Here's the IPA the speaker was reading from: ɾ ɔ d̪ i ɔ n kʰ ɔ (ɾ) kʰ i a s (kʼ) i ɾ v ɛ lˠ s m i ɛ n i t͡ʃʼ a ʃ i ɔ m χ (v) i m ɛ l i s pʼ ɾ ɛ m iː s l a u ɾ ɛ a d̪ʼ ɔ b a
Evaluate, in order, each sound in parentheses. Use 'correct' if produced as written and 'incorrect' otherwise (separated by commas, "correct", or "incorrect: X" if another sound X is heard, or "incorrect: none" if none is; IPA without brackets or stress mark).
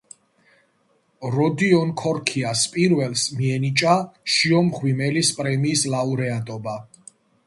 correct, incorrect: pʼ, incorrect: w